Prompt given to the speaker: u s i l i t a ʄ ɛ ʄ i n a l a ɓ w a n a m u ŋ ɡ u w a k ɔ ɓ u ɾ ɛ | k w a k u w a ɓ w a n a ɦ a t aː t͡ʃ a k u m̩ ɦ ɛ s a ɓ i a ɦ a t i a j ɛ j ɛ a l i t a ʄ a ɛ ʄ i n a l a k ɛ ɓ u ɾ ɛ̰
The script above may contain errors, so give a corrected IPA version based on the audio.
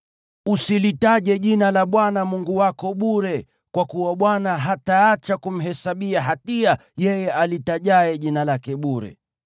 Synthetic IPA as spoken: u s i l i t a ʄ ɛ ʄ i n a l a ɓ w a n a m u ŋ ɡ u w a k ɔ ɓ u ɾ ɛ | k w a k u w a ɓ w a n a ɦ a t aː t͡ʃ a k u m̩ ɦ ɛ s a ɓ i a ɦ a t i a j ɛ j ɛ a l i t a ʄ a ɛ ʄ i n a l a k ɛ ɓ u ɾ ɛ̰

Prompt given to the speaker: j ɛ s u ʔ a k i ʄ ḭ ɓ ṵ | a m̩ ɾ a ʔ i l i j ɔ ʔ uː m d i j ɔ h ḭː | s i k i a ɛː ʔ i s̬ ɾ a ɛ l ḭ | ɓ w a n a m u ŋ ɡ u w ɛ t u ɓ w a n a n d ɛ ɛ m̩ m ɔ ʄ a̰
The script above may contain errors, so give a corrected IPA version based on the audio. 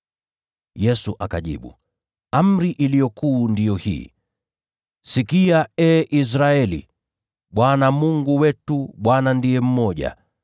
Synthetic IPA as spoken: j ɛ s u ʔ a k a ʄ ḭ ɓ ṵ | a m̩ ɾ i ʔ i l i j ɔ k uː n d i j ɔ h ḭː | s i k i a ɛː ʔ i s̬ ɾ a ɛ l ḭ | ɓ w a n a m u ŋ ɡ u w ɛ t u ɓ w a n a n d i ɛ m̩ m ɔ ʄ a̰

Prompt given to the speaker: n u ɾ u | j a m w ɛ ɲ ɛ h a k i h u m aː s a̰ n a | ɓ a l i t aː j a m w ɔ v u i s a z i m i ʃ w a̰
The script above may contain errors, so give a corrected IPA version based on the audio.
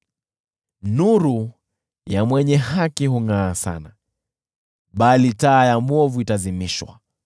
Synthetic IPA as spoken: n u ɾ u | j a m w ɛ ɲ ɛ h a k i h u ŋ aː s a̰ n a | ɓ a l i t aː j a m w ɔ v u i t a z i m i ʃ w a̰

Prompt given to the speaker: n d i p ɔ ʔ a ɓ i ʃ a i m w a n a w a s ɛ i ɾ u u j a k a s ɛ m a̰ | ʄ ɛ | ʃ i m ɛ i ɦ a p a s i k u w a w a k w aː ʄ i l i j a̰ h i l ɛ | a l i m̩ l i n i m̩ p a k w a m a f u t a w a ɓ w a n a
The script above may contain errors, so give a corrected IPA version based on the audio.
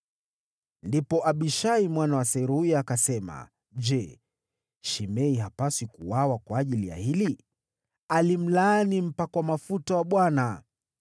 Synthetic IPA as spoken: n d i p ɔ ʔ a ɓ i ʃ a i m w a n a w a s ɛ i ɾ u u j a k a s ɛ m a̰ | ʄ ɛ | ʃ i m ɛ i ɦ a p a s i k u w a w a k w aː ʄ i l i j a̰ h i l i | a l i m̩ l a n i m̩ p a k w a m a f u t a w a ɓ w a n a

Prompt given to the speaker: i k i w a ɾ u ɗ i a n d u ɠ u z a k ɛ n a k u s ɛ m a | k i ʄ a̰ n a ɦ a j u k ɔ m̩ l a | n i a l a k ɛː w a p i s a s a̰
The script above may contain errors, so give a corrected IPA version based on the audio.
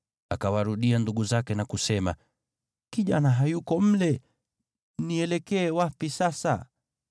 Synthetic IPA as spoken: a k a w a ɾ u ɗ i a n d u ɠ u z a k ɛ n a k u s ɛ m a | k i ʄ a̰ n a ɦ a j u k ɔ m̩ l ɛ | n i ɛ l ɛ k ɛː w a p i s a s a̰

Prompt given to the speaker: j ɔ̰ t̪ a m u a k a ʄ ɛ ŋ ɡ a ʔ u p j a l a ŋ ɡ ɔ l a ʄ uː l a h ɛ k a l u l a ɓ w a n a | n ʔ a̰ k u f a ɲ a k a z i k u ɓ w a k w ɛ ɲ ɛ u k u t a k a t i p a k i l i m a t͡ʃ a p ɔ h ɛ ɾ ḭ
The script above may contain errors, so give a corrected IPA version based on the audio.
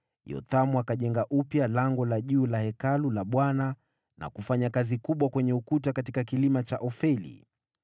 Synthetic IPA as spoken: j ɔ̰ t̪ a m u a k a ʄ ɛ ŋ ɡ a ʔ u p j a l a ŋ ɡ ɔ l a ʄ uː l a h ɛ k a l u l a ɓ w a n a | n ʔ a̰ k u f a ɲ a k a z i k u ɓ w a k w ɛ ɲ ɛ u k u t a k a t i k a k i l i m a t͡ʃ a ʔ ɔ f ɛ l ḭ

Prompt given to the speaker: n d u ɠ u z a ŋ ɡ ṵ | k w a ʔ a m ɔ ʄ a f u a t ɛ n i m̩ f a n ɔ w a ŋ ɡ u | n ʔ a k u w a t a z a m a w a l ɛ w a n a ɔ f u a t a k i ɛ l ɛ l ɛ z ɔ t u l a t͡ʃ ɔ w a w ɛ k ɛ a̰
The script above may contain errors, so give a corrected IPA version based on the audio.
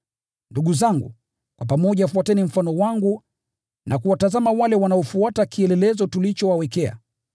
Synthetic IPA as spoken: n d u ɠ u z a ŋ ɡ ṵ | k w a p a m ɔ ʄ a f u a t ɛ n i m̩ f a n ɔ w a ŋ ɡ u | n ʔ a k u w a t a z a m a w a l ɛ w a n a ɔ f u a t a k i ɛ l ɛ l ɛ z ɔ t u l i t͡ʃ ɔ w a w ɛ k ɛ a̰

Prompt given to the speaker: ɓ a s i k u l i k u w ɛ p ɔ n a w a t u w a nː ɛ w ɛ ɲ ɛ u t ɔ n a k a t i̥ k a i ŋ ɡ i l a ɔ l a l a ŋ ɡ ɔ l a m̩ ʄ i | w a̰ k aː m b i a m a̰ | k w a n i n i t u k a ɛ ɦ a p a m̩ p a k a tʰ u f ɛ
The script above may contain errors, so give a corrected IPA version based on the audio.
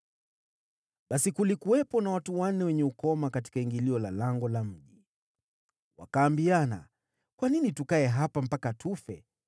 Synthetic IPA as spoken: ɓ a s i k u l i k u w ɛ p ɔ n a w a t u w a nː ɛ w ɛ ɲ ɛ u k ɔ m a k a t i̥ k a i ŋ ɡ i l i ɔ l a l a ŋ ɡ ɔ l a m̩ ʄ i | w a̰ k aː m b i a n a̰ | k w a n i n i t u k a ɛ ɦ a p a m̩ p a k a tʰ u f ɛ

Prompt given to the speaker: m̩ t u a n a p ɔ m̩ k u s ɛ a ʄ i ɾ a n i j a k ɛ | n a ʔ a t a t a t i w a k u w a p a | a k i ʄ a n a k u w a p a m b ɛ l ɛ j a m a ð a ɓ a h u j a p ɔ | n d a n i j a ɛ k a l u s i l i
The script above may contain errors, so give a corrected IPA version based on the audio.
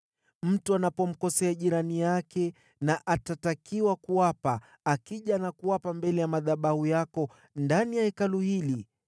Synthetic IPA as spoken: m̩ t u a n a p ɔ m̩ k ɔ s ɛ a ʄ i ɾ a n i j a k ɛ | n a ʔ a t a t a k i w a k u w a p a | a k i ʄ a n a k u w a p a m b ɛ l ɛ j a m a ð a ɓ a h u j a k ɔ | n d a n i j a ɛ k a l u h i l i

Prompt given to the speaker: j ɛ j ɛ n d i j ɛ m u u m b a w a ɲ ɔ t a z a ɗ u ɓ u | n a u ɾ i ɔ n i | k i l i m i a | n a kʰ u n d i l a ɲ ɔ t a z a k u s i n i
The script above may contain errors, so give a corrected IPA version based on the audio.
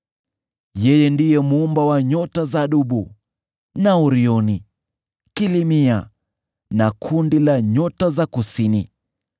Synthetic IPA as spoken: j ɛ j ɛ n d i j ɛ m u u m b a w a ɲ ɔ t a z a ɗ u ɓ u | n a u ɾ i ɔ n i | k i l i m i a | n a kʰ u n d i l a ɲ ɔ t a z a k u s i n i

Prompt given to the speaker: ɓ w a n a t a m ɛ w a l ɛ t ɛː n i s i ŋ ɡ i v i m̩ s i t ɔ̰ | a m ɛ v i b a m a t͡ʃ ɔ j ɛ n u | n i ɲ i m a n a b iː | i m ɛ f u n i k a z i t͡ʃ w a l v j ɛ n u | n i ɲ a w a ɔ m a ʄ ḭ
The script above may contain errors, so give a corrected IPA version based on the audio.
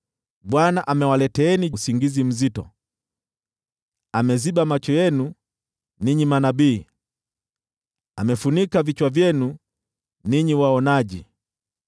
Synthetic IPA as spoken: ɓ w a n a ʔ a m ɛ w a l ɛ t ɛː n i s i ŋ ɡ i z i m̩ z i t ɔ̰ | a m ɛ z i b a m a t͡ʃ ɔ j ɛ n u | n i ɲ i m a n a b iː | a m ɛ f u n i k a v i t͡ʃ w a v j ɛ n u | n i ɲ i w a ɔ n a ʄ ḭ

